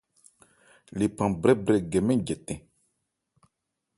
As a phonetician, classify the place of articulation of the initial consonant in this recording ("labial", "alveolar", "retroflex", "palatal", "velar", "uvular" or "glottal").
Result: alveolar